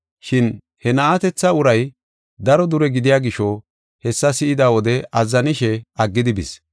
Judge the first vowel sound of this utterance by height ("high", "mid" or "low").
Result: high